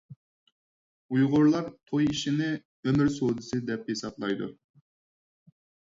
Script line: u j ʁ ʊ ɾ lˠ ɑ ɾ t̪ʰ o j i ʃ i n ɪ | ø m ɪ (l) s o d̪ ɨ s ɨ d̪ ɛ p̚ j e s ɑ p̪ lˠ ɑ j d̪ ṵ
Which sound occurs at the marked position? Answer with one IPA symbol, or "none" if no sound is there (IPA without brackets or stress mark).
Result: ɾ